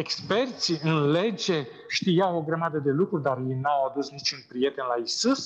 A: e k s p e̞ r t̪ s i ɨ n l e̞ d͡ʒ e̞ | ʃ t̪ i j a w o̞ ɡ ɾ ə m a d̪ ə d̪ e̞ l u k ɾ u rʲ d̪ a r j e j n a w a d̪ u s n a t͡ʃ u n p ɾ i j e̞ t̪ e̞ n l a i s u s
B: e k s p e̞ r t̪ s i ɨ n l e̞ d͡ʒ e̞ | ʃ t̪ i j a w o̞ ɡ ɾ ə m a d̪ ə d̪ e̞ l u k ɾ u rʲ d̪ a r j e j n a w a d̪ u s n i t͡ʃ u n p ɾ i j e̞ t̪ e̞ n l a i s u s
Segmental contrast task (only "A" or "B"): B